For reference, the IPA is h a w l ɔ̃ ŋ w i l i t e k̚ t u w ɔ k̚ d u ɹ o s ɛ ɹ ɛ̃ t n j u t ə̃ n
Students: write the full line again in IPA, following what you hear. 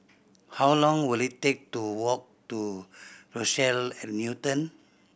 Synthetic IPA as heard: h a w l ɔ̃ ŋ w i l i t e k̚ t u w ɔ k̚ t u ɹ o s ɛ l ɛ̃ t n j u t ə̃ n